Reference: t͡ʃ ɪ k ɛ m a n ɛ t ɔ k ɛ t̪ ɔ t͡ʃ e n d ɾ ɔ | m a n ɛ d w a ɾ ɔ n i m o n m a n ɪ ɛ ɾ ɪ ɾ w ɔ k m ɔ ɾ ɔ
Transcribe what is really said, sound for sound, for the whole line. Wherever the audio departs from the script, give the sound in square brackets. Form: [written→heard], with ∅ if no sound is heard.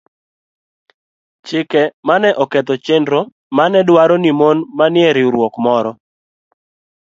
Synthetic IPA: t͡ʃ ɪ k ɛ m a n ɛ [t→ʔ] ɔ k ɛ t̪ ɔ t͡ʃ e n d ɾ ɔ | m a n ɛ d w a ɾ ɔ n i m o n m a n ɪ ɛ ɾ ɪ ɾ w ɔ k m ɔ ɾ ɔ